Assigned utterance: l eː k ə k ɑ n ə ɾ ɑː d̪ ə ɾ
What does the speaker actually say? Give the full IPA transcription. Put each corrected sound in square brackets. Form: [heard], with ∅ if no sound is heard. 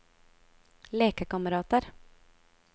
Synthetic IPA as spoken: l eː k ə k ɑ [m] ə ɾ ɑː [t̪] ə ɾ